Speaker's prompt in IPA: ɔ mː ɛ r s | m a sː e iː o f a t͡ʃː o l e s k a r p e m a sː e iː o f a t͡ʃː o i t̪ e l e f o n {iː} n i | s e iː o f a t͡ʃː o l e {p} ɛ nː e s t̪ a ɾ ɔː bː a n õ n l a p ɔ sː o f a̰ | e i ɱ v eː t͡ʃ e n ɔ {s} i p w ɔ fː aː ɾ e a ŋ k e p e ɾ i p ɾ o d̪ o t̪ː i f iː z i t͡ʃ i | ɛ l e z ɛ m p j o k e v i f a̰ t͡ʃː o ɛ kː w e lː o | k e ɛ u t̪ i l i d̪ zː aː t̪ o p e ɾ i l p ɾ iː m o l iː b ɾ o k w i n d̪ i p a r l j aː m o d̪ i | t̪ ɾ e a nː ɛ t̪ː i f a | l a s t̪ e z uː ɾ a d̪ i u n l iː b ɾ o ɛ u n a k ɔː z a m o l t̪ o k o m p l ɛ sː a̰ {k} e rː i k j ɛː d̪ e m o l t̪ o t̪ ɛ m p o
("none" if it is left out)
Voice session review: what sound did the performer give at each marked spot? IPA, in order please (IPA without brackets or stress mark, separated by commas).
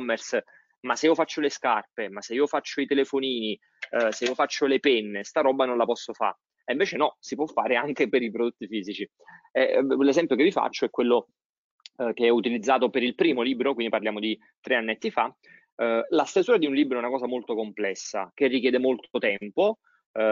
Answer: iː, p, s, k